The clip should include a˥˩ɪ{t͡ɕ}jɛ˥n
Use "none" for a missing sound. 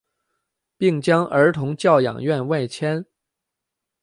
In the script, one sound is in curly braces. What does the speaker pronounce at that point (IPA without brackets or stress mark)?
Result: t͡ɕʰ